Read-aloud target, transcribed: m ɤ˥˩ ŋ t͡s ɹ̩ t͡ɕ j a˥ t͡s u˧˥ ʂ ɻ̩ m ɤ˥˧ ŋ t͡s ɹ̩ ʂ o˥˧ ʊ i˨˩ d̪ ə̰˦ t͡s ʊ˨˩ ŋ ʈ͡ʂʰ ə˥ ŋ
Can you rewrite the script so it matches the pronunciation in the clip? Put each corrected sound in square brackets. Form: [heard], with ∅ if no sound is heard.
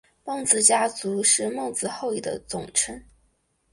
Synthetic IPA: m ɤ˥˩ ŋ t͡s ɹ̩ t͡ɕ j a˥ t͡s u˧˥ ʂ ɻ̩ m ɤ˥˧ ŋ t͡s ɹ̩ [x] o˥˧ ʊ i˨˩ d̪ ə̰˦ t͡s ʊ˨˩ ŋ ʈ͡ʂʰ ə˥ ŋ